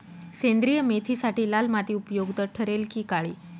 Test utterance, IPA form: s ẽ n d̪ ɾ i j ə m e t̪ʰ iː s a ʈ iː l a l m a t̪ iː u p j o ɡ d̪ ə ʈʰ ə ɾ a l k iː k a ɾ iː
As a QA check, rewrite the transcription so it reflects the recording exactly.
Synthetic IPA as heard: s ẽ n d̪ ɾ i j ə m e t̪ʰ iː s a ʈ iː l a l m a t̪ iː u p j o ɡ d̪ ə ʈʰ ə ɾ e l k iː k a ɭ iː

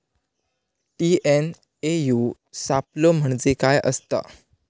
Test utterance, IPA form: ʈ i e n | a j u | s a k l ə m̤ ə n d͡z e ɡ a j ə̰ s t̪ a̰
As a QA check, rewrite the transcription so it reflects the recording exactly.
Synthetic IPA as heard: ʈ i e n | e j u | s a p l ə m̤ ə ɳ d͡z e k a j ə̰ s t̪ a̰

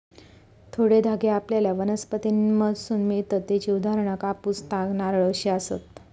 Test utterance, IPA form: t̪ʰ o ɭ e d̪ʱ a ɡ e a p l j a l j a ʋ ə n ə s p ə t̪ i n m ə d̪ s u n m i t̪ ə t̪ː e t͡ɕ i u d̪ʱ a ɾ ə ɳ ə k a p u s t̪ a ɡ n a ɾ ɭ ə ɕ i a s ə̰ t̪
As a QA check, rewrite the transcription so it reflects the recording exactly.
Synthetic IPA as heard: t̪ʰ o ɽ e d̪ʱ a ɡ e a p l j a l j a ʋ ə n ə s p ə t̪ i n m ə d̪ s u n m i t̪ ə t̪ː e t͡ɕ i u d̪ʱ a ɾ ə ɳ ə k a p u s t̪ a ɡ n a ɾ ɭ ə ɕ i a s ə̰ t̪

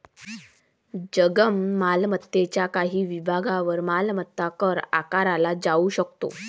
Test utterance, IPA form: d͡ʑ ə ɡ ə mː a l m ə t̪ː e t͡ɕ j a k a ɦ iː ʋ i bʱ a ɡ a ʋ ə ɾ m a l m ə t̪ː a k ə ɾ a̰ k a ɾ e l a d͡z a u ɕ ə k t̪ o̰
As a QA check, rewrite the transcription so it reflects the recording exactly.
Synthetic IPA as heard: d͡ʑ ə ɡ ə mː a l m ə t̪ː e t͡ɕ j a k a ɦ iː ʋ i bʱ a ɡ a ʋ ə ɾ m a l m ə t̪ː a k ə ɾ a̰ k a ɾ a l a d͡z a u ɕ ə k t̪ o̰

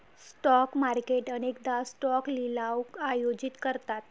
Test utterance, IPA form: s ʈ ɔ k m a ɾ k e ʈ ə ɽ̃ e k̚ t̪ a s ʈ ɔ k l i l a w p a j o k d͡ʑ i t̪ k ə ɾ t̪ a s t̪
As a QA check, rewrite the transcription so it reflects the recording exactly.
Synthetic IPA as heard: s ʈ ɔ k m a ɾ k e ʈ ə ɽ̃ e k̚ d̪ a s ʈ ɔ k l i l a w k a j o d͡ʑ i t̪ k ə ɾ t̪ a t̪

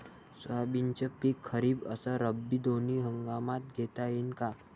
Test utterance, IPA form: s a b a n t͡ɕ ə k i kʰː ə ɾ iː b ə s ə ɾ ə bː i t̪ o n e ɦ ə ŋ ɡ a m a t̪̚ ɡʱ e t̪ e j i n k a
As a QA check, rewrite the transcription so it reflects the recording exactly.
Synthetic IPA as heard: s a b i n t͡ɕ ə p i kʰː ə ɾ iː b ə s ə ɾ ə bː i d̪ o n i ɦ ə ŋ ɡ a m a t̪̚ ɡʱ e t̪ a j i n k a

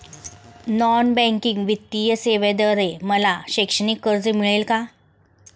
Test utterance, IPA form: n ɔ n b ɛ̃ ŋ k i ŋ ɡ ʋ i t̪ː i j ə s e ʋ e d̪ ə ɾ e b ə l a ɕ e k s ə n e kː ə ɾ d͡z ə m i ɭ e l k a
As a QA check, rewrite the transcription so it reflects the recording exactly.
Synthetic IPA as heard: n ɔ n b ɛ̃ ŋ k i ŋ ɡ ʋ i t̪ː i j ə s e ʋ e d̪ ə ɾ e m ə l a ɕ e k ʂ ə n i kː ə ɾ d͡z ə m i ɭ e l k a

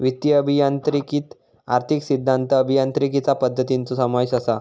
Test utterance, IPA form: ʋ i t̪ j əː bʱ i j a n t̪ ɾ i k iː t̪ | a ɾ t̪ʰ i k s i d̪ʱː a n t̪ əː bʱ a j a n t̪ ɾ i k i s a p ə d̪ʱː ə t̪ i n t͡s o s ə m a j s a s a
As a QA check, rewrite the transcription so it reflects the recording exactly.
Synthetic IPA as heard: ʋ i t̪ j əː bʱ i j a n t̪ ɾ i k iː t̪ | a ɾ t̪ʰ i k s i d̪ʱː a n t̪ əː bʱ i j a n t̪ ɾ i k i t͡s a p ə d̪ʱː ə t̪ i n t͡s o s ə m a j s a s a

